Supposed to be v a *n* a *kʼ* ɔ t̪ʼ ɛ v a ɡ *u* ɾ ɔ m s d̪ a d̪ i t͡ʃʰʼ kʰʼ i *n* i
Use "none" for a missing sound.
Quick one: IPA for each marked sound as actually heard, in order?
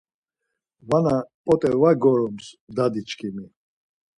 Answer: n, pʼ, ɔ, m

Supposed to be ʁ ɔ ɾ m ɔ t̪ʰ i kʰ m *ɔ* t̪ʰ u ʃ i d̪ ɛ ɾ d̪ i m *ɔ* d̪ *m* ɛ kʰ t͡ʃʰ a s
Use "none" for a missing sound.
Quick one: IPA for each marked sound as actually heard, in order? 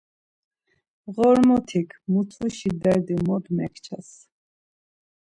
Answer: u, ɔ, m

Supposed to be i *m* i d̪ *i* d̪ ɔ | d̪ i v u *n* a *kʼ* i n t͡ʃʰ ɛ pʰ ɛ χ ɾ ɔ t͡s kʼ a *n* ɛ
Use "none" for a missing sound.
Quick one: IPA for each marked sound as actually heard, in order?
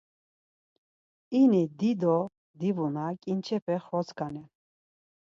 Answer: n, i, n, kʼ, n

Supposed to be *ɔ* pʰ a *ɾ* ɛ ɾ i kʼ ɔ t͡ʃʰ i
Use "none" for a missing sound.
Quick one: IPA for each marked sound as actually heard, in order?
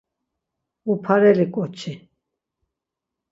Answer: u, ɾ

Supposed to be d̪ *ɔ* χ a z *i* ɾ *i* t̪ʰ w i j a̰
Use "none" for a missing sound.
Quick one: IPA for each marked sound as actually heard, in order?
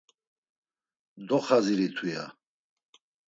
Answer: ɔ, i, i

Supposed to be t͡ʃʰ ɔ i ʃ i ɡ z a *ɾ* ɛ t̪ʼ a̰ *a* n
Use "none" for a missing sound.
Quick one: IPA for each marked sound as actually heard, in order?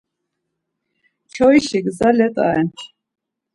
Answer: l, ɛ

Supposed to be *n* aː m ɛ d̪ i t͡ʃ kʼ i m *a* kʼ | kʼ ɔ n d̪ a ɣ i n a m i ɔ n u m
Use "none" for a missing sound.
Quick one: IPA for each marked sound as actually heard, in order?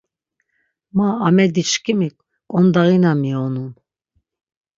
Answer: m, i

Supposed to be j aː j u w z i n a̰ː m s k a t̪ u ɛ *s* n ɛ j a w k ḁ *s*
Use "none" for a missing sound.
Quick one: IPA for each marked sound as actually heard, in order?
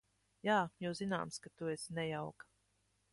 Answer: s, none

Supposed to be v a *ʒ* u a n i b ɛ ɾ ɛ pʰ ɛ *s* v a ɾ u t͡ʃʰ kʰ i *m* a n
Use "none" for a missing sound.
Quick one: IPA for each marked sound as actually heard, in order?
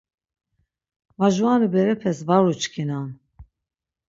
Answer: ʒ, s, n

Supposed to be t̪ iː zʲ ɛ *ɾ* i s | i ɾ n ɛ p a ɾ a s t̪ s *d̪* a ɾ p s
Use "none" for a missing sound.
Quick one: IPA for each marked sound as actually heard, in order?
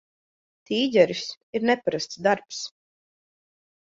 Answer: ɾ, d̪

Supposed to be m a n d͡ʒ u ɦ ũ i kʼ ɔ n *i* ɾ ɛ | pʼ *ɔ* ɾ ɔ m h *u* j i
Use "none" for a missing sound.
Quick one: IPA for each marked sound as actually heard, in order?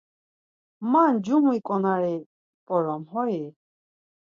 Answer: a, ɔ, ɔ

